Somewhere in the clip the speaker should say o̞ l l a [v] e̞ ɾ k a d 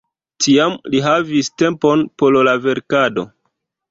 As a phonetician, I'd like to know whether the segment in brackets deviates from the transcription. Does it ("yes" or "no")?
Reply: no